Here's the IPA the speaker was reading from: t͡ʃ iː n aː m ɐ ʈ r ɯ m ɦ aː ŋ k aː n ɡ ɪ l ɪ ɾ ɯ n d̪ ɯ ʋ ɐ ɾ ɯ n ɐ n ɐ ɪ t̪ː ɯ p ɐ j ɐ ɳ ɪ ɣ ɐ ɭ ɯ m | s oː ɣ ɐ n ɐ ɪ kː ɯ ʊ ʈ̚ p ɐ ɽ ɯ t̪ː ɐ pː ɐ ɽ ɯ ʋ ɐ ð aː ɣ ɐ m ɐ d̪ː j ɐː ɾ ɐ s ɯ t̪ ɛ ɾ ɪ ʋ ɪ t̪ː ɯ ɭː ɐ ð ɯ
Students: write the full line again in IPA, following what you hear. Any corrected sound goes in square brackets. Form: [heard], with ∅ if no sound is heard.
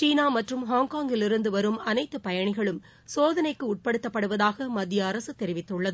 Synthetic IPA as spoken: t͡ʃ iː n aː m ɐ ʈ r ɯ m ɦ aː ŋ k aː [ŋ] ɡ ɪ l ɪ ɾ ɯ n d̪ ɯ ʋ ɐ ɾ ɯ [m] ɐ n ɐ ɪ t̪ː ɯ p ɐ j ɐ ɳ ɪ ɣ ɐ ɭ ɯ m | s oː [ð] ɐ n ɐ ɪ kː ɯ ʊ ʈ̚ p ɐ ɽ ɯ t̪ː ɐ pː ɐ ɽ ɯ ʋ ɐ ð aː ɣ ɐ m ɐ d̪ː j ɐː ɾ ɐ s ɯ t̪ ɛ ɾ ɪ ʋ ɪ t̪ː ɯ ɭː ɐ ð ɯ

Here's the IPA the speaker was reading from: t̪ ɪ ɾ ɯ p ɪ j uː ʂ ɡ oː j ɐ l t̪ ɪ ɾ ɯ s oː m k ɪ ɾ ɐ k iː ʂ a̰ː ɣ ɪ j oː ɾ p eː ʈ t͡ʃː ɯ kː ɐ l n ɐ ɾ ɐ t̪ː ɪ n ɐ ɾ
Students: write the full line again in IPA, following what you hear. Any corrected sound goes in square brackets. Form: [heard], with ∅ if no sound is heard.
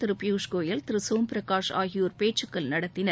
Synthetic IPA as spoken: t̪ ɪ ɾ ɯ p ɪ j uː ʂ [k] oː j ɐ l t̪ ɪ ɾ ɯ s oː m [p] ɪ ɾ ɐ k [aː] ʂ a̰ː ɣ ɪ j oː ɾ p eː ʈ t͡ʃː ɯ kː ɐ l n ɐ [ɽ] ɐ t̪ː ɪ n ɐ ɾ

